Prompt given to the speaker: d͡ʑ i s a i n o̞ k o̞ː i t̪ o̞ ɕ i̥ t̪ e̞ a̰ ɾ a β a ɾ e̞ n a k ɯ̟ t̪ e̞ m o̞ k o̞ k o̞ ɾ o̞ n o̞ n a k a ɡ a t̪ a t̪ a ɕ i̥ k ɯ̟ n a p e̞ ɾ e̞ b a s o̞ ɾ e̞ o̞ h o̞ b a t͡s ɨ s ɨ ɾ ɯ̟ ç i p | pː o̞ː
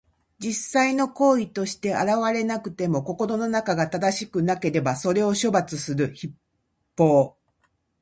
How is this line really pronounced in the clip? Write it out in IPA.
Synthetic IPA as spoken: d͡ʑ i s a i n o̞ k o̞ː i t̪ o̞ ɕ i̥ t̪ e̞ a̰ ɾ a β a ɾ e̞ n a k ɯ̟ t̪ e̞ m o̞ k o̞ k o̞ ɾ o̞ n o̞ n a k a ɡ a t̪ a d̪ a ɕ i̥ k ɯ̟ n a k e̞ ɾ e̞ b a s o̞ ɾ e̞ o̞ ɕ o̞ b a t͡s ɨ s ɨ ɾ ɯ̟ ç i p | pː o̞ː

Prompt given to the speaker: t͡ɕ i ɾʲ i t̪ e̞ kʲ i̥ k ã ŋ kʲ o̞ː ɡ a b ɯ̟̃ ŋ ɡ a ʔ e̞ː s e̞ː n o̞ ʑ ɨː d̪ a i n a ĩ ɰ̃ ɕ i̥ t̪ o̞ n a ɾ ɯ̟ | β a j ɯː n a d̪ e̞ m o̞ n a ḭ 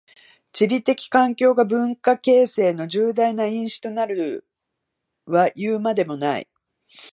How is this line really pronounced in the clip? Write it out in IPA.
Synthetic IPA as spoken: t͡ɕ i ɾʲ i t̪ e̞ kʲ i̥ k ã ŋ kʲ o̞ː ɡ a b ɯ̟̃ ŋ k a k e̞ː s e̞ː n o̞ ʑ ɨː d̪ a i n a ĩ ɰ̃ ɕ i̥ t̪ o̞ n a ɾ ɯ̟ | β a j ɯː m a d̪ e̞ m o̞ n a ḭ

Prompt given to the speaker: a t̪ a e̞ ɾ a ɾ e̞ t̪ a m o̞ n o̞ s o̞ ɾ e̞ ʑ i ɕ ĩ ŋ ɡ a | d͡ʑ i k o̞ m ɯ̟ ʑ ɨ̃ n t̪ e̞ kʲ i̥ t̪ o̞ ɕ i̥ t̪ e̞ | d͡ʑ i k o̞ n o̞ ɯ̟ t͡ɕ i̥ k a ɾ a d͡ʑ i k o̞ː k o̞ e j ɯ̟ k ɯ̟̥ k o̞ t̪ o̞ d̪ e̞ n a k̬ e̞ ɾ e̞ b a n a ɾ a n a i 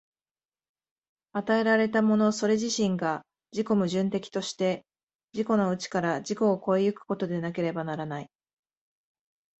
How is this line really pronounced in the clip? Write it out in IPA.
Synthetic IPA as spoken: a t̪ a e̞ ɾ a ɾ e̞ t̪ a m o̞ n o̞ s o̞ ɾ e̞ ʑ i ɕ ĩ ŋ ɡ a | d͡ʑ i k o̞ m ɯ̟ ʑ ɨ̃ n t̪ e̞ kʲ i̥ t̪ o̞ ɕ i̥ t̪ e̞ | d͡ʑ i k o̞ n o̞ ɯ̟ t͡ɕ i̥ k a ɾ a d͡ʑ i k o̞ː k o̞ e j ɯ̟ k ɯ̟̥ k o̞ t̪ o̞ d̪ e̞ n a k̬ e̞ ɾ e̞ b a n a ɾ a n a i

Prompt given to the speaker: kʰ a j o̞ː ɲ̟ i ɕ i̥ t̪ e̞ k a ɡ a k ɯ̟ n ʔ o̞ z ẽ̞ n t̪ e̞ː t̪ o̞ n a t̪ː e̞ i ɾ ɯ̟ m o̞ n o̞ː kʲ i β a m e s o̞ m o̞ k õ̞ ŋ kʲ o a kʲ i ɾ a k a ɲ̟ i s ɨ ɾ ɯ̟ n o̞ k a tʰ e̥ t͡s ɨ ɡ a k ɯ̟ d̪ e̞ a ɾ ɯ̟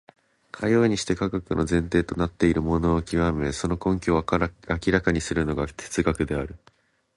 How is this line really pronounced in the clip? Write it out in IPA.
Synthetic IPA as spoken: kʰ a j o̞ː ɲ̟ i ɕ i̥ t̪ e̞ k a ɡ a k ɯ̟ n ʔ o̞ z ẽ̞ n t̪ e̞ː t̪ o̞ n a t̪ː e̞ i ɾ ɯ̟ m o̞ n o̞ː kʲ i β a m e s o̞ n o̞ k õ̞ ŋ kʲ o a kʲ i ɾ a k a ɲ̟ i s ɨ ɾ ɯ̟ n o̞ ɡ a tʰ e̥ t͡s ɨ ɡ a k ɯ̟ d̪ e̞ a ɾ ɯ̟

